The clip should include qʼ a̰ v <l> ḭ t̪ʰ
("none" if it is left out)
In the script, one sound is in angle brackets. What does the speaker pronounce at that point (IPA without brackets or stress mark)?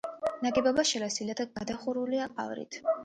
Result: ɾ